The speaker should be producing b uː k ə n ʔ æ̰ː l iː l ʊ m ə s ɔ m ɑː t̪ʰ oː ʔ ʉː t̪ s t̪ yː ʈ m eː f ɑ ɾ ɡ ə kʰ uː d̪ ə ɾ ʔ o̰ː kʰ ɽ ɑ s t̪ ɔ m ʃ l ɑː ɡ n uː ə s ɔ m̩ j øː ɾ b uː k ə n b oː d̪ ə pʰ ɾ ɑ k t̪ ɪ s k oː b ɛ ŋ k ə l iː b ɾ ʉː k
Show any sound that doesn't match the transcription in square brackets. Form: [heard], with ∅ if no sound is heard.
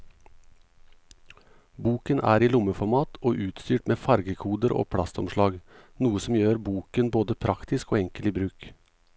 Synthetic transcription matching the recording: b uː k ə n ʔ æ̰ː [ɾ] iː l ʊ m ə [f] ɔ m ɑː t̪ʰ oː ʔ ʉː t̪ s t̪ yː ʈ m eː f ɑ ɾ ɡ ə kʰ uː d̪ ə ɾ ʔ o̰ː [pʰ] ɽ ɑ s t̪ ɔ m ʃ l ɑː ɡ n uː ə s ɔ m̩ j øː ɾ b uː k ə n b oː d̪ ə pʰ ɾ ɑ k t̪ ɪ s k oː [∅] ɛ ŋ k ə l iː b ɾ ʉː k